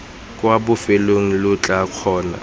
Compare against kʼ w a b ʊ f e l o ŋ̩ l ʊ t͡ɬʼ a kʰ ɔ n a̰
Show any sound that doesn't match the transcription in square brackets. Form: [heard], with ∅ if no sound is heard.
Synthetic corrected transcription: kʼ w a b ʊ f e l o ŋ̩ l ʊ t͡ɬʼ a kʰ [ɔː] n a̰